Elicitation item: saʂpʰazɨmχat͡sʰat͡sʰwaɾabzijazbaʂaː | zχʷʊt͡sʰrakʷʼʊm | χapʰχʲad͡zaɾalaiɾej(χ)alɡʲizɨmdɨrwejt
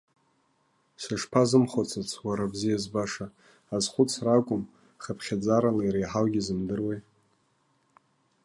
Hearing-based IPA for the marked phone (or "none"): ħ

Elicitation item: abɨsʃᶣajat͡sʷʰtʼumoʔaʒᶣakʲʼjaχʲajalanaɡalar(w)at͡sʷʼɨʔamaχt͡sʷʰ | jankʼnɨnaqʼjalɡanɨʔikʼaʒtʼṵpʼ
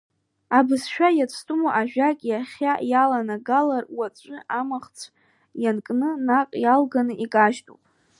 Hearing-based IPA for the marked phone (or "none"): w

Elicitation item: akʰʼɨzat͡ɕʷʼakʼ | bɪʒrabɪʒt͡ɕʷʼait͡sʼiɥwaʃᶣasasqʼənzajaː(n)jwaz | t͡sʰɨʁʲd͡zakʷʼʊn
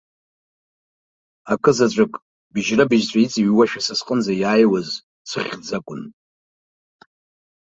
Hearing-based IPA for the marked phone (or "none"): none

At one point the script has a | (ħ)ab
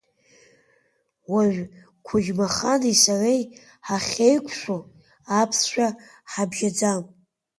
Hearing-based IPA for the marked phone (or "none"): ħ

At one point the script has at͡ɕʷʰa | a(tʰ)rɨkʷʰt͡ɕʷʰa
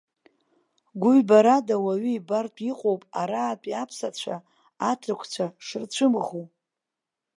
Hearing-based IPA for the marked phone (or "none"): tʰ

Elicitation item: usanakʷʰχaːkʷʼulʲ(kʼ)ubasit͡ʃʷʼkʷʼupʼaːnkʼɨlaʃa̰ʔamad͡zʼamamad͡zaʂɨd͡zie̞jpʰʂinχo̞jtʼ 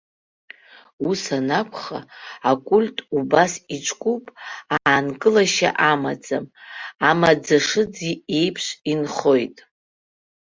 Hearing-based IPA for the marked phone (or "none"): tʼ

